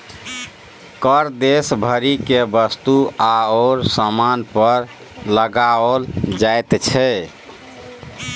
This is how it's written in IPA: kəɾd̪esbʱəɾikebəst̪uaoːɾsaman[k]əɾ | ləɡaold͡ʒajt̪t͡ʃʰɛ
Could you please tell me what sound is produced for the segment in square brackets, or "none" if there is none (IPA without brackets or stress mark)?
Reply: p